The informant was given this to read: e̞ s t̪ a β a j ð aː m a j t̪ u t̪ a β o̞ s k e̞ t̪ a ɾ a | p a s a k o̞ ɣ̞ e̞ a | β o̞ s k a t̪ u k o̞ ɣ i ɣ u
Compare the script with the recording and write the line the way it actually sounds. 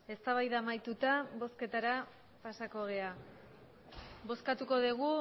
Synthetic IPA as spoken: e̞ s t̪ a β a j ð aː m a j t̪ u t̪ a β o̞ s k e̞ t̪ a ɾ a | p a s a k o̞ ɣ̞ e̞ a | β o̞ s k a t̪ u k o̞ ð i ɣ u